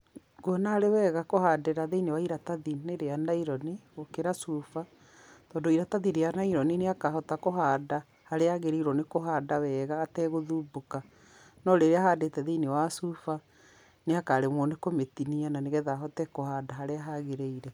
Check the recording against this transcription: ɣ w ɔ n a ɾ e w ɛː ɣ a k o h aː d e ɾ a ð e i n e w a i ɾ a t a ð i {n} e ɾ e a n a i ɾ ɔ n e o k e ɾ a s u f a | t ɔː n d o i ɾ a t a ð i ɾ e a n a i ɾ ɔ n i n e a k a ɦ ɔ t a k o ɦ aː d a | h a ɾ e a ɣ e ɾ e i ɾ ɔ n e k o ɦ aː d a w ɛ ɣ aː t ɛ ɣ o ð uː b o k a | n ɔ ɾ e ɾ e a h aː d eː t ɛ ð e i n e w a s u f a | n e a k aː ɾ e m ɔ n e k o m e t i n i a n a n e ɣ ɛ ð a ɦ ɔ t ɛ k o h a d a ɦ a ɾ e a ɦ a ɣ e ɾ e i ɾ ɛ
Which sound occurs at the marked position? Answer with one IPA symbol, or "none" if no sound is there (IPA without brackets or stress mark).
n